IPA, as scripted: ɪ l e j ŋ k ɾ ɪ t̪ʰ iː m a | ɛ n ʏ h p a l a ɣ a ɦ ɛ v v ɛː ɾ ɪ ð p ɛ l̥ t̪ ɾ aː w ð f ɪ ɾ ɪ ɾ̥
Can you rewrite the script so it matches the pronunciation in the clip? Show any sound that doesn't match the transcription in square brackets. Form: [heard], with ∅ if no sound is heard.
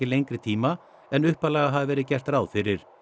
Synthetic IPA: ɪ l e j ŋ k ɾ ɪ t̪ʰ iː m a | ɛ n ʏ h p a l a ɣ a ɦ [a] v v ɛː ɾ ɪ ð [c] ɛ [r̥] t̪ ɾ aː w ð f ɪ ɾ ɪ ɾ̥